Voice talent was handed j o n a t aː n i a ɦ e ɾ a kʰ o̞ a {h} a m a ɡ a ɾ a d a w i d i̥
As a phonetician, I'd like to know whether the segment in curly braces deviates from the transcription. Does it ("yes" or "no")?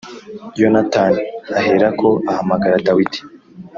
no